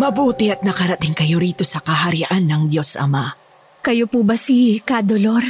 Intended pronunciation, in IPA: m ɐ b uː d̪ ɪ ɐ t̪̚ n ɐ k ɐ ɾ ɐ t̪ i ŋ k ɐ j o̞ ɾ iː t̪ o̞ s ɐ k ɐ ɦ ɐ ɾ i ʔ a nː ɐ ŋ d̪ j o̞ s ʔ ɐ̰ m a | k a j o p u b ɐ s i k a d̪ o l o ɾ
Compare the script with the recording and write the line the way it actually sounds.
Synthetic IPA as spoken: m ɐ b uː t̪ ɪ ɐ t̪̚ n ɐ k ɐ ɾ ɐ t̪ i ŋ k ɐ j o̞ ɾ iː t̪ o̞ s ɐ k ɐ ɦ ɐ ɾ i ʔ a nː ɐ ŋ d̪ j o̞ s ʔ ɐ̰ m a | k ɐ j o p u b ɐ s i k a d̪ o l o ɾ